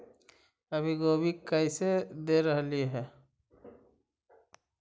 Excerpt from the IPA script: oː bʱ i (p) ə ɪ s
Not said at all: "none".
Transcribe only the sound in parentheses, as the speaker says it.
k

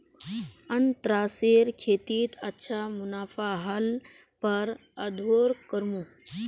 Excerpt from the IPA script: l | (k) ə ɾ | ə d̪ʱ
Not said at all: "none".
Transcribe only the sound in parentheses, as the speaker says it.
p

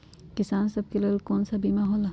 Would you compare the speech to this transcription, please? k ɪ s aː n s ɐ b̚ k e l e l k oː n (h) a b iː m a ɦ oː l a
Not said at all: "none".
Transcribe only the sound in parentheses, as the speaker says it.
s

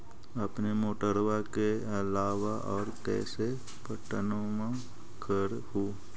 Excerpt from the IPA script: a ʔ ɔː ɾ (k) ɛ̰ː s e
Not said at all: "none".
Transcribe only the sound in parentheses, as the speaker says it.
k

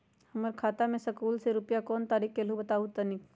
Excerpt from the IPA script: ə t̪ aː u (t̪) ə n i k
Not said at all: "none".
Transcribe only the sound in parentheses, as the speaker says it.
t̪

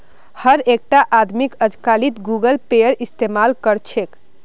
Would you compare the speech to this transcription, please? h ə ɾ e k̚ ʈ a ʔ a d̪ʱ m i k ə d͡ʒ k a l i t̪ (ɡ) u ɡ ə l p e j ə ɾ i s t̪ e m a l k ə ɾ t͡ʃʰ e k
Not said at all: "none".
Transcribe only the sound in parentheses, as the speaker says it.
ɡ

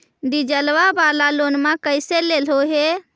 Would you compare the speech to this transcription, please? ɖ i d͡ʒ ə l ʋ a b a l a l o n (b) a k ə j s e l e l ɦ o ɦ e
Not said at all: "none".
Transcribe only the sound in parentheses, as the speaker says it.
m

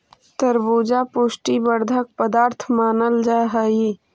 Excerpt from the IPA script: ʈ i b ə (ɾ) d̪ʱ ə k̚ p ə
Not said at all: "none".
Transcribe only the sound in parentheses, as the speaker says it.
ɾ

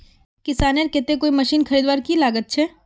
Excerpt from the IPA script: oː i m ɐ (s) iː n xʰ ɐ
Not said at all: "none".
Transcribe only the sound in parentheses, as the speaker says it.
ʃ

